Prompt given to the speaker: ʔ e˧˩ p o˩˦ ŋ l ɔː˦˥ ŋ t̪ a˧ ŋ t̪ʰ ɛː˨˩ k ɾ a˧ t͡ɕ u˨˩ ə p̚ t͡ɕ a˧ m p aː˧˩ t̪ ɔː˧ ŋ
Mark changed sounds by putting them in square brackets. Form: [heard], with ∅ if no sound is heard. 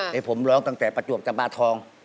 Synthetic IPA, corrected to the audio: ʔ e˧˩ [pʰ] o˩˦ [m] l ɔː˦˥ ŋ t̪ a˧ ŋ [t̪] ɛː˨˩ [p] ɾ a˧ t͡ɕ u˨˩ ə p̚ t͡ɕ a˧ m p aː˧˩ [t̪ʰ] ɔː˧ ŋ